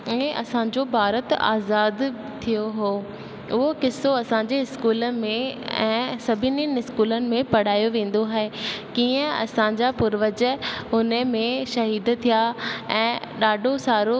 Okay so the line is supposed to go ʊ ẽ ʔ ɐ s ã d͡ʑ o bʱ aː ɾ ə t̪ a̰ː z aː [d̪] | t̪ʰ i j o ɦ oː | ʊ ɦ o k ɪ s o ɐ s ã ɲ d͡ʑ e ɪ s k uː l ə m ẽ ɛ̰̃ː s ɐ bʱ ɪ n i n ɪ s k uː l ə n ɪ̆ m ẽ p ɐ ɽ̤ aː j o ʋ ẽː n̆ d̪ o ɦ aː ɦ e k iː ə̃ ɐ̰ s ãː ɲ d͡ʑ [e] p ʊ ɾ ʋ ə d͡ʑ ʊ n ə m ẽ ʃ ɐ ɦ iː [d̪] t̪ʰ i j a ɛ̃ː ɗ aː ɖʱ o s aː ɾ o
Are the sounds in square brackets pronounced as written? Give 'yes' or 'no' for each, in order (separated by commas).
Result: yes, no, yes